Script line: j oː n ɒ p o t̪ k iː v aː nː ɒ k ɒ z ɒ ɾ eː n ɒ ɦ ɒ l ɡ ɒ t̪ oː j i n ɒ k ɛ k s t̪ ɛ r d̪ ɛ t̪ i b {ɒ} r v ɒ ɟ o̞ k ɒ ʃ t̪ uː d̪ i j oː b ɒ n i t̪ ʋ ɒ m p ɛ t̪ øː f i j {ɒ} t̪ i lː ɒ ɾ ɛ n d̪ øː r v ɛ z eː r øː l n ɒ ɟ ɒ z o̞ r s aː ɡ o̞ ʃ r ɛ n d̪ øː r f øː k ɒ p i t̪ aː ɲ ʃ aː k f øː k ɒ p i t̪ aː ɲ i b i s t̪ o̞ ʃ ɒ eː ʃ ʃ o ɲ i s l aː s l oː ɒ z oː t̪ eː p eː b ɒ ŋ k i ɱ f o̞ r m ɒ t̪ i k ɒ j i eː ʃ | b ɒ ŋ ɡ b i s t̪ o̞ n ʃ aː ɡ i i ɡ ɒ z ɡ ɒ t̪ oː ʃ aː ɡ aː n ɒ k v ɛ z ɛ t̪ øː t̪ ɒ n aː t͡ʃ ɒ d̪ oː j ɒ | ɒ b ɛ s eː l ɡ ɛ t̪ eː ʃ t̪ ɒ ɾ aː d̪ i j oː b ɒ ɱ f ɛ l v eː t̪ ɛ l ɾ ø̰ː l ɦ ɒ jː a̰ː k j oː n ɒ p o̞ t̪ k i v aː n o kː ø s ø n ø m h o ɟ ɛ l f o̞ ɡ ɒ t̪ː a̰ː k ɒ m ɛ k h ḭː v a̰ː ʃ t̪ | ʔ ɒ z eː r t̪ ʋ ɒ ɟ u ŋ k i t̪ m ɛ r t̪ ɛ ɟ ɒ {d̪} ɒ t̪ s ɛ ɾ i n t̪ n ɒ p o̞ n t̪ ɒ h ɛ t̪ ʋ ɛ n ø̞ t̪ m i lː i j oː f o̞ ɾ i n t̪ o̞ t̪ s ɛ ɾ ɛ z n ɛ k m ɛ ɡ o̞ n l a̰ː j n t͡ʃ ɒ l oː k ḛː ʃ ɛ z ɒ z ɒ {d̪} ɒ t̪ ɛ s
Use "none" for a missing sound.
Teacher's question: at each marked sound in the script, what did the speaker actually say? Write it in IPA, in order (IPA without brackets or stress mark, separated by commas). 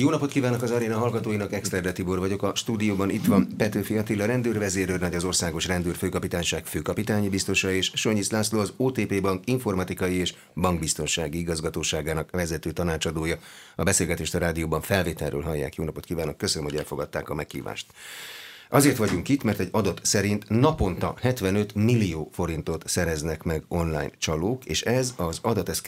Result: o, ɒ, d̪, d̪